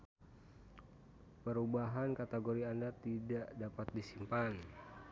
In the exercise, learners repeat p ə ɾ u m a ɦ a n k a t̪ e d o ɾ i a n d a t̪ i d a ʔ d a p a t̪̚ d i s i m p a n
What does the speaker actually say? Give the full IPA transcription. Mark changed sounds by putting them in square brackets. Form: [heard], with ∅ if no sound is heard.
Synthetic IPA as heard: p ə ɾ u [b] a ɦ a n k a t̪ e [ɡ] o ɾ i a n d a t̪ i d a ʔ d a p a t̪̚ d i s i m p a n